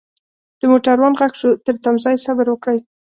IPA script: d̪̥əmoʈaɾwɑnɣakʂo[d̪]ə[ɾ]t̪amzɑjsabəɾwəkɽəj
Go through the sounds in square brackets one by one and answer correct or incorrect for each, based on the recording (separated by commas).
incorrect, correct